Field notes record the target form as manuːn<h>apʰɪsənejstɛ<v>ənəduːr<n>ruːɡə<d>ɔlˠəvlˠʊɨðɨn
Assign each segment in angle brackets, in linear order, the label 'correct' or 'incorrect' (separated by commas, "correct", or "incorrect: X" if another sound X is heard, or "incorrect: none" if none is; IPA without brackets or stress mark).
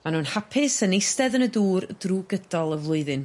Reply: correct, incorrect: ð, incorrect: d, correct